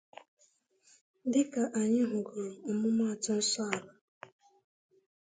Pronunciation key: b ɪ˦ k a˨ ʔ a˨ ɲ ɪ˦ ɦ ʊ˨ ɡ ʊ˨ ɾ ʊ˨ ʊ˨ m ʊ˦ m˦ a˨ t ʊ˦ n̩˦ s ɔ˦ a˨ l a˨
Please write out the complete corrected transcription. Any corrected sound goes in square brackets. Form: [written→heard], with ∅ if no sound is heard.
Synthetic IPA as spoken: [b→d] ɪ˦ k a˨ ʔ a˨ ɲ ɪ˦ ɦ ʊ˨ ɡ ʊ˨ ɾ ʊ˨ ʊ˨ m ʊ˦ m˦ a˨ t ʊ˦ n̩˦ s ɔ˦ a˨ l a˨